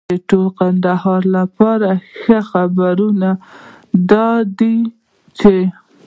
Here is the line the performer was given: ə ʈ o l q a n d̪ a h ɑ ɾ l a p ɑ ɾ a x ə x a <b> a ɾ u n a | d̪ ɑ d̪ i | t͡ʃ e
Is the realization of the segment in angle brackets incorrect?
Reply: no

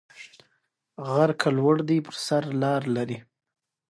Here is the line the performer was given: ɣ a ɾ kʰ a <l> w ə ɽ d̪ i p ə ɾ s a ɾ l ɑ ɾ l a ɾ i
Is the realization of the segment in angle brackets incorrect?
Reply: no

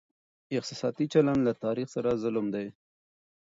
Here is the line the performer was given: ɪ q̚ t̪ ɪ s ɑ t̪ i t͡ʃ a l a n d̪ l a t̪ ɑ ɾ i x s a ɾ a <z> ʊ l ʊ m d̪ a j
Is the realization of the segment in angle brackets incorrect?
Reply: no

